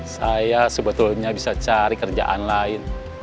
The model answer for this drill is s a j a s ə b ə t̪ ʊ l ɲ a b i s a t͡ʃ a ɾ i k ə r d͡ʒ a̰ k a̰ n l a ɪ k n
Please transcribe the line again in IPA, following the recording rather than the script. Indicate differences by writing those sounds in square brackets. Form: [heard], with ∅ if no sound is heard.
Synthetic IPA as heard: s a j a s ə b ə t̪ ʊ l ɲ a b i s a t͡ʃ a ɾ i k ə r d͡ʒ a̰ [ʔ] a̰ n l a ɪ [∅] n